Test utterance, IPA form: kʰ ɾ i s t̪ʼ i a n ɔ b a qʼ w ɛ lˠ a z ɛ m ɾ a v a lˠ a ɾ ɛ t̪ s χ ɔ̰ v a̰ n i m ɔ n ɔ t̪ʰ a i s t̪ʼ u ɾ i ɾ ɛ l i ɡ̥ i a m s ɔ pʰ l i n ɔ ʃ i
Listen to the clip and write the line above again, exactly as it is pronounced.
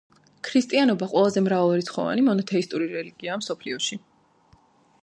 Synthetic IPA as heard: kʰ ɾ i s t̪ʼ i a n ɔ b a qʼ w ɛ lˠ a z ɛ m ɾ a v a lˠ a ɾ i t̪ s χ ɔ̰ v a̰ n i m ɔ n ɔ t̪ʰ ɛ i s t̪ʼ u ɾ i ɾ ɛ l i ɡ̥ i a m s ɔ pʰ l i ɔ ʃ i